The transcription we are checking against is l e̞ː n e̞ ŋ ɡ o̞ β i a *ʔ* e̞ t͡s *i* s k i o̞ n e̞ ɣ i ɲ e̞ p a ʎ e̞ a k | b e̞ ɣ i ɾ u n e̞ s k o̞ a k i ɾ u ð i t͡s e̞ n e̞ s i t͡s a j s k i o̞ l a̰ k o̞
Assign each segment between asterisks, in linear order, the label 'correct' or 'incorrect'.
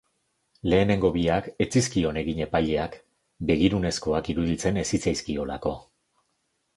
incorrect: k, correct

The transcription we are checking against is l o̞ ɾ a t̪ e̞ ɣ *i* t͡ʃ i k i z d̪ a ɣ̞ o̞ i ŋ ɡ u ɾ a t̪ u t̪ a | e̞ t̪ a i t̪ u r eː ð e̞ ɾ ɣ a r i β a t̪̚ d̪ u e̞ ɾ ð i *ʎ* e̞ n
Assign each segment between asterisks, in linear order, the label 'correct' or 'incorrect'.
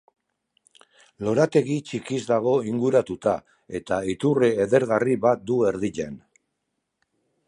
correct, correct

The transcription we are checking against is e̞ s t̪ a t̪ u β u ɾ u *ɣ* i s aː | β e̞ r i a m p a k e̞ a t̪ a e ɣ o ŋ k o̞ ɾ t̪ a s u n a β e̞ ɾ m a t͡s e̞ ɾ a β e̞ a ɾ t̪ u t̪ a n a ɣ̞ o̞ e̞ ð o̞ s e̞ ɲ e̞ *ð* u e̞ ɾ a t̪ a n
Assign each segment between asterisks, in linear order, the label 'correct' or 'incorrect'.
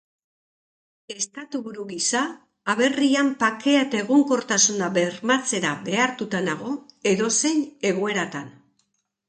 correct, incorrect: ɣ

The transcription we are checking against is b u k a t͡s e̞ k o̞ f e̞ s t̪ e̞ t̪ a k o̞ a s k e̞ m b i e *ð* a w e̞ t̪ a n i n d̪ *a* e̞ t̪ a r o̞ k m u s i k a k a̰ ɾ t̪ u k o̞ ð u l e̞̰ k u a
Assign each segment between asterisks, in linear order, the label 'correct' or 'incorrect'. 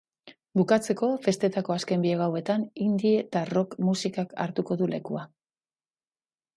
incorrect: ɣ, incorrect: i

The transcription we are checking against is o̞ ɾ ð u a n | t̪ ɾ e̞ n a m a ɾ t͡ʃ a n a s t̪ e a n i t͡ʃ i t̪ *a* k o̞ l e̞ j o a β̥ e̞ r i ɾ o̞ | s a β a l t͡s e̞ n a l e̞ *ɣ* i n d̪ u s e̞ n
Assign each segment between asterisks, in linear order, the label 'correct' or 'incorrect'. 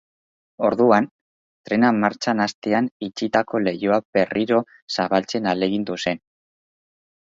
correct, correct

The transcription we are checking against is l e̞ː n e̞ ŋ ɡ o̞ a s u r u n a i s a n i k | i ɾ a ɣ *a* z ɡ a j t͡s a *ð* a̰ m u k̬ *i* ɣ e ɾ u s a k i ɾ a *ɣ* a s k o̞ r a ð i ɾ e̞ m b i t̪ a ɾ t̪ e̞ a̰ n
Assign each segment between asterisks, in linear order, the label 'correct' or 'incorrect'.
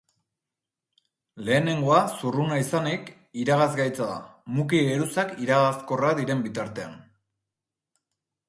correct, correct, correct, correct

